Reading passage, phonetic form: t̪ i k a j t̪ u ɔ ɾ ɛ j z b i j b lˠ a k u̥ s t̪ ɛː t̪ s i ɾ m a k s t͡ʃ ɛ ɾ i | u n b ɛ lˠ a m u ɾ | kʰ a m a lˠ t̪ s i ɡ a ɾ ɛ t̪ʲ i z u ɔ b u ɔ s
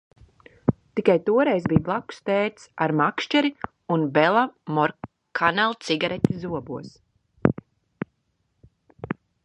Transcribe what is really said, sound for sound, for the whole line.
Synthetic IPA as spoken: t̪ i k a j t̪ u ɔ ɾ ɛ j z b i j b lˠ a k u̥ s t̪ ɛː t̪ s a ɾ m a k ʃ t͡ʃ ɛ ɾ i | u n b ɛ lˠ a m ɔ ɾ | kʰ a n a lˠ t̪ s i ɡ a ɾ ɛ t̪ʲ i z u ɔ b u ɔ s